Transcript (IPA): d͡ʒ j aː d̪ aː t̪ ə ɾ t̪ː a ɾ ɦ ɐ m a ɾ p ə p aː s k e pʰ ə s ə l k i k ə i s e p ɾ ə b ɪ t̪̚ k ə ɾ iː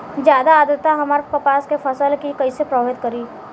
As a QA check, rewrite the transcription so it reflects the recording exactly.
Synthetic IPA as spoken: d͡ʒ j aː d̪ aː d̪ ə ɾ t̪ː a ɦ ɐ m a ɾ p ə p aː s k e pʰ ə s ə l k i k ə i s e p ɾ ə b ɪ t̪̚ k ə ɾ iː